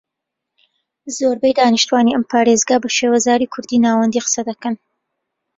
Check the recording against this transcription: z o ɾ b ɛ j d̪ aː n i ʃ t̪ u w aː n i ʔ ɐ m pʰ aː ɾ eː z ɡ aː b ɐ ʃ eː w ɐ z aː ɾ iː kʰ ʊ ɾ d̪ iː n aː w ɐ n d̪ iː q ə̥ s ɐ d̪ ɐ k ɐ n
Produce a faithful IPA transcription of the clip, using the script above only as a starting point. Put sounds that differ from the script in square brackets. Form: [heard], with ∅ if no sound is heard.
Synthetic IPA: z o ɾ b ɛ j d̪ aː n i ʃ t̪ u w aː n i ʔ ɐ m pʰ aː ɾ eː z ɡ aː b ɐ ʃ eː w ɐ z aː ɾ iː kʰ ʊ ɾ d̪ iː n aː w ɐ n d̪ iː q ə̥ s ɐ d̪ ɐ k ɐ n